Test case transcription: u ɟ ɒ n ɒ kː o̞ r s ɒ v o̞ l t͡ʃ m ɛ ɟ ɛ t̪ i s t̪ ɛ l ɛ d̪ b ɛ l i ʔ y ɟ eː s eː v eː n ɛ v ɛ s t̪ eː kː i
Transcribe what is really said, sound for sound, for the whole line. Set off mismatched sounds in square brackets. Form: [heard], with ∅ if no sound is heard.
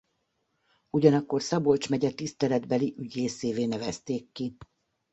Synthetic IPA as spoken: u ɟ ɒ n ɒ kː o̞ r s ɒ [b] o̞ l t͡ʃ m ɛ ɟ ɛ t̪ i s t̪ ɛ l ɛ d̪ b ɛ l i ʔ y ɟ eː s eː v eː n ɛ v ɛ s t̪ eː kː i